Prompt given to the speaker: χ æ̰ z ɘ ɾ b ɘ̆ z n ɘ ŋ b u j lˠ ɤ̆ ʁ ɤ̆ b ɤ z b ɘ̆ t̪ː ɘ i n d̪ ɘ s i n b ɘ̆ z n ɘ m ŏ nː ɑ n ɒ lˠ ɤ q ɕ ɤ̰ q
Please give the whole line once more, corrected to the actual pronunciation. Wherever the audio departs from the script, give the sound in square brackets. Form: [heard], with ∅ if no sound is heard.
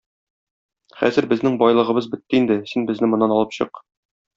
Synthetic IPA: χ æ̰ z ɘ ɾ b ɘ̆ z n ɘ ŋ b [ɒ] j lˠ ɤ̆ ʁ ɤ̆ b ɤ z b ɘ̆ t̪ː ɘ i n d̪ ɘ s i n b ɘ̆ z n ɘ m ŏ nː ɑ n ɒ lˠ ɤ [p] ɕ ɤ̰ q